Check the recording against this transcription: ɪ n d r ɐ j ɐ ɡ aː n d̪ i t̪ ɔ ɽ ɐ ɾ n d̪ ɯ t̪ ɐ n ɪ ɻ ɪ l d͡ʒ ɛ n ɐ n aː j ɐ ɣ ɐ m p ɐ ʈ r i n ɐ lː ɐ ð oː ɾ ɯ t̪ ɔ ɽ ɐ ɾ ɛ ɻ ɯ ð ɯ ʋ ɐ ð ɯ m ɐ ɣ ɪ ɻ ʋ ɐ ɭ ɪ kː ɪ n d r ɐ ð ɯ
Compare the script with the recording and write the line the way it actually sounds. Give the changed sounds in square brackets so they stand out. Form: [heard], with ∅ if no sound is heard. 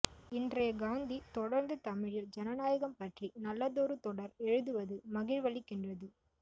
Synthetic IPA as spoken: ɪ n d r ɐ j ɐ ɡ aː n d̪ i t̪ ɔ ɽ ɐ ɾ n d̪ ɯ t̪ ɐ [m] ɪ ɻ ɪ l d͡ʒ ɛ n ɐ n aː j ɐ ɣ ɐ m p ɐ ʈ r i n ɐ lː ɐ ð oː ɾ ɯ t̪ ɔ ɽ ɐ ɾ ɛ ɻ ɯ ð ɯ ʋ ɐ ð ɯ m ɐ ɣ ɪ ɻ ʋ ɐ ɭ ɪ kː ɪ n d r ɐ ð ɯ